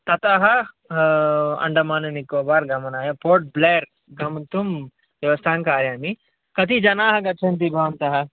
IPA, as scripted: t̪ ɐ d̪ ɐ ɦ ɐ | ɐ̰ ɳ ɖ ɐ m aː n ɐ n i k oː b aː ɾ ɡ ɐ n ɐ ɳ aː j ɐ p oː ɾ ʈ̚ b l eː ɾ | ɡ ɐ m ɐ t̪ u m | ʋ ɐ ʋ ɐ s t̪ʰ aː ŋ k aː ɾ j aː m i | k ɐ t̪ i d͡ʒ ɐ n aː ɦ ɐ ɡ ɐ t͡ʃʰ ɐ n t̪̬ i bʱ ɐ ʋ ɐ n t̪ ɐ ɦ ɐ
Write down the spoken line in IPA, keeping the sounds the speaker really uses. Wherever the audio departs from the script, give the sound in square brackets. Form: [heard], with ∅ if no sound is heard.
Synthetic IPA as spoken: t̪ ɐ [t̪] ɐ ɦ ɐ | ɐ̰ ɳ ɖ ɐ m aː n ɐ n i k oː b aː ɾ ɡ ɐ [m] ɐ [n] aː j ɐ p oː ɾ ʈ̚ b l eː ɾ | ɡ ɐ m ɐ t̪ u m | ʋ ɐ ʋ ɐ s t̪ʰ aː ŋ k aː ɾ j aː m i | k ɐ t̪ i d͡ʒ ɐ n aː ɦ ɐ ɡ ɐ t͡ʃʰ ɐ n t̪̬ i bʱ ɐ ʋ ɐ n t̪ ɐ ɦ ɐ